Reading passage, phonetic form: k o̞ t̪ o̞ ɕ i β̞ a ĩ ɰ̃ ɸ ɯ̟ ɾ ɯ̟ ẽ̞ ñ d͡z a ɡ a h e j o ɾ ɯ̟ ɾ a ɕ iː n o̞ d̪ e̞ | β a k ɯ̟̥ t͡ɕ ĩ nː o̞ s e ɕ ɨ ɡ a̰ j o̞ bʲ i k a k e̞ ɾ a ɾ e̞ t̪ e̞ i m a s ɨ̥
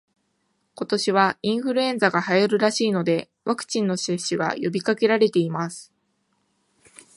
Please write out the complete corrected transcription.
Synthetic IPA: k o̞ t̪ o̞ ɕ i β̞ a ĩ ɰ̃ ɸ ɯ̟ ɾ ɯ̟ ẽ̞ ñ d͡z a ɡ a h a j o ɾ ɯ̟ ɾ a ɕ iː n o̞ d̪ e̞ | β a k ɯ̟̥ t͡ɕ ĩ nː o̞ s e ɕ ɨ ɡ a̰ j o̞ bʲ i k a k e̞ ɾ a ɾ e̞ t̪ e̞ i m a s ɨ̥